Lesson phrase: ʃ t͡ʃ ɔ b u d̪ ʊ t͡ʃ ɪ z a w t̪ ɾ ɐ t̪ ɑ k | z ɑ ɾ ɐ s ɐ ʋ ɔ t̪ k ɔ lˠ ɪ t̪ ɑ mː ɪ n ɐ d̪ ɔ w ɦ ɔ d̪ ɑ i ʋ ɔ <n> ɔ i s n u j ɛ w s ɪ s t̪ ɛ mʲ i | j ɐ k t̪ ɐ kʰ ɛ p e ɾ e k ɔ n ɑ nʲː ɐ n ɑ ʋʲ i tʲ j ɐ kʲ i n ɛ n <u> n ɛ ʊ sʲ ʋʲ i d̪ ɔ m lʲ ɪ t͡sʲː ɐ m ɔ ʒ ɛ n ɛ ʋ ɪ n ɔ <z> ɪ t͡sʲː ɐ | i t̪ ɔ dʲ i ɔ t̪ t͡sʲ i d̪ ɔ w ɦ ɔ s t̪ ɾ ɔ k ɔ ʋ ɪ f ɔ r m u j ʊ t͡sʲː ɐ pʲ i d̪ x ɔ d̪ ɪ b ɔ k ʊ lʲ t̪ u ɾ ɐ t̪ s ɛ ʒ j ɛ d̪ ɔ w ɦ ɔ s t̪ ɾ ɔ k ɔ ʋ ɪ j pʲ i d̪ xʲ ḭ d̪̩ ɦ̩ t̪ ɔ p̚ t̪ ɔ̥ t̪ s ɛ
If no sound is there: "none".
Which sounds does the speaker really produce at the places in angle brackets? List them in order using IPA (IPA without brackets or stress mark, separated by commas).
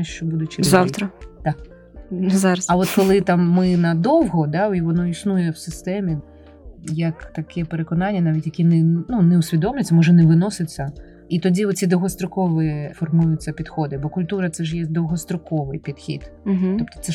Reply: n, u, s